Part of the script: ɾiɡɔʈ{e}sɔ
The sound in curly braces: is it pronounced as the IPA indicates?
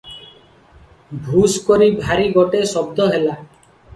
yes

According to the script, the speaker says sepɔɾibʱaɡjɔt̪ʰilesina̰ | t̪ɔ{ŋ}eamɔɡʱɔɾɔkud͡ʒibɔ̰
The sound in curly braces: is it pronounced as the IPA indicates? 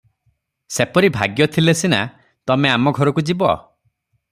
no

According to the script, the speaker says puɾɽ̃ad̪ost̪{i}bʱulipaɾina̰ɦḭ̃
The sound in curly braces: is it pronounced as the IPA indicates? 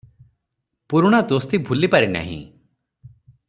yes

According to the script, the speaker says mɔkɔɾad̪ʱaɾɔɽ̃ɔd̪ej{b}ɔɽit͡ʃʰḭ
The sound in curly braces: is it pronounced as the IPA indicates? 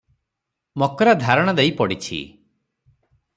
no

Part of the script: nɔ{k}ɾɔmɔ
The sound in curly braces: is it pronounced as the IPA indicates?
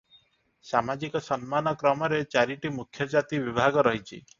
yes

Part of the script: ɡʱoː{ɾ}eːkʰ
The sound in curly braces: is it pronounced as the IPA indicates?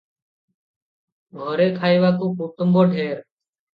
yes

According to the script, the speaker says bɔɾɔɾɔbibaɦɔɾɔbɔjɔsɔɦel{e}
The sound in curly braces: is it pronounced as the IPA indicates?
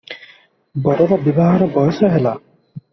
no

